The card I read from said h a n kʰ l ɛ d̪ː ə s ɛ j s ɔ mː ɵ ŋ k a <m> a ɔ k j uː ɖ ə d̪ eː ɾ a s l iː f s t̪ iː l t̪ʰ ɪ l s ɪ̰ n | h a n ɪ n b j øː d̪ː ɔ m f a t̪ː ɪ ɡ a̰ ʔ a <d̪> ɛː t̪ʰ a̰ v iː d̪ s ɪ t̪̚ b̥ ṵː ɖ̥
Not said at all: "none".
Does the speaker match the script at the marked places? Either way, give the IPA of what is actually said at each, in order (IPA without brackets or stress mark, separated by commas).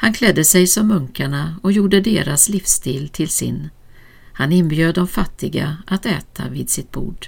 ɳ, t̪